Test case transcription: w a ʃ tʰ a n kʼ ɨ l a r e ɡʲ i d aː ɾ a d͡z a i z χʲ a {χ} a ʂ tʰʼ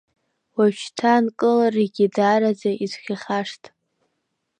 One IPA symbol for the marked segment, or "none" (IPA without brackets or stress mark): χ